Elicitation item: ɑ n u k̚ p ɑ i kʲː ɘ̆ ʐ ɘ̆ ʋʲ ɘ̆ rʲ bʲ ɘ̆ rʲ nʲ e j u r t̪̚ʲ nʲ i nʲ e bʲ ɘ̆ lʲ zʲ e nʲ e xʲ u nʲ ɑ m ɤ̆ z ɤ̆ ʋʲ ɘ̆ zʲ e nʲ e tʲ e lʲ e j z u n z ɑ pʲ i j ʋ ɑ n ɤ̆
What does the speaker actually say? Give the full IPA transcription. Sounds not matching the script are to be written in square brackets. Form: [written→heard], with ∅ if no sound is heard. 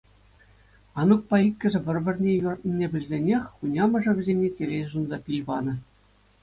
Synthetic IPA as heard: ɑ n u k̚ p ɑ i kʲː ɘ̆ ʐ ɘ̆ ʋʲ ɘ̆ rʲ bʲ ɘ̆ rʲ nʲ e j u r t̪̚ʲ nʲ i nʲ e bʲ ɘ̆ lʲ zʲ e nʲ e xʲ u nʲ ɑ m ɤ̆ [z→ʐ] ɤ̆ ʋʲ ɘ̆ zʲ e nʲ e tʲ e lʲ e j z u n z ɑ pʲ i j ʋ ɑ n ɤ̆